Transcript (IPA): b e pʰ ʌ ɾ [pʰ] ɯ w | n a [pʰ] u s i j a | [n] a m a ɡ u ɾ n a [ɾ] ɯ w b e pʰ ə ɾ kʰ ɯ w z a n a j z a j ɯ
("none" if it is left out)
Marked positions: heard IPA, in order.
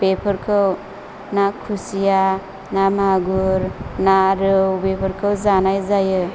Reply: kʰ, kʰ, n, ɾ

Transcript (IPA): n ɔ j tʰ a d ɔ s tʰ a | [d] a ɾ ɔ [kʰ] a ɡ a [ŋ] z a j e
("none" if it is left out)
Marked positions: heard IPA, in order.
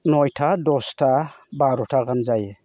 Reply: b, tʰ, m

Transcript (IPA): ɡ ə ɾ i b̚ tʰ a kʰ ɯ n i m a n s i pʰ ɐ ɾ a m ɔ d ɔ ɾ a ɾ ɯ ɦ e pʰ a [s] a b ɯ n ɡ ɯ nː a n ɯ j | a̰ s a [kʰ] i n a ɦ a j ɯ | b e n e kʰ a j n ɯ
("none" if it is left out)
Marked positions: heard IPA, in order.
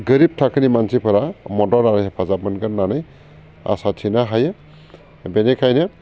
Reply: z, tʰ

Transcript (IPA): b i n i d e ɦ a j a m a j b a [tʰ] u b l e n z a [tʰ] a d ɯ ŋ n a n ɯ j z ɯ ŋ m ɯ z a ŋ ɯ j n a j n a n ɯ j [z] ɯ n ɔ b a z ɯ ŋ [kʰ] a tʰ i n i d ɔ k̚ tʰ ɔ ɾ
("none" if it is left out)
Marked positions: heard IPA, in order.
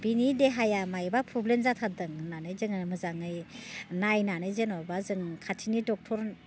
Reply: pʰ, tʰ, z, kʰ

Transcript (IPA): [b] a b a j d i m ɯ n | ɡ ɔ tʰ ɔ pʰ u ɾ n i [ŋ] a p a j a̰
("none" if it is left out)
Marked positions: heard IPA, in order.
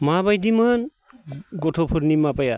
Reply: m, m

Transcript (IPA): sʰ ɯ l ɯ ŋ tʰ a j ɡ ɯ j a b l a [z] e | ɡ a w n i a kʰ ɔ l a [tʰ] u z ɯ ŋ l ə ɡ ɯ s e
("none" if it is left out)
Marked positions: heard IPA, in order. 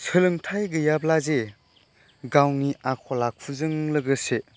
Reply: z, kʰ

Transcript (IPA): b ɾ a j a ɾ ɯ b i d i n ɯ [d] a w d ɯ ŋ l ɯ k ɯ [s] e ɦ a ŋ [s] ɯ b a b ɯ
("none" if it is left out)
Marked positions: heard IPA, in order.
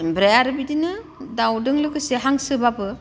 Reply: d, s, s

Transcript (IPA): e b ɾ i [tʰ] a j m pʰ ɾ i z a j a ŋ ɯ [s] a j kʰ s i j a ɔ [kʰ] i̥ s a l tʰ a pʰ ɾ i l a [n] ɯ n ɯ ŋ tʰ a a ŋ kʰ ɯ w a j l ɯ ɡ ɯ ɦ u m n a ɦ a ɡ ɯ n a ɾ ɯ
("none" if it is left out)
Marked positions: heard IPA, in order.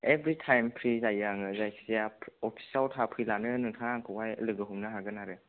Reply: tʰ, z, pʰ, n

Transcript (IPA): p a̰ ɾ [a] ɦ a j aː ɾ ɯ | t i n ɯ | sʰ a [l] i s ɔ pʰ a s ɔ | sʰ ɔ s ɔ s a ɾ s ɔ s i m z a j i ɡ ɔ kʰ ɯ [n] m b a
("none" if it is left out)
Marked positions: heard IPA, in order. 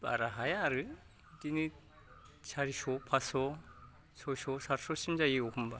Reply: a, ɾ, none

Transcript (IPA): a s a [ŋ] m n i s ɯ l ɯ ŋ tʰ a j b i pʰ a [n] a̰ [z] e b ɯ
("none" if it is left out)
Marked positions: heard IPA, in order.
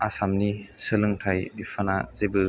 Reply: none, n, z

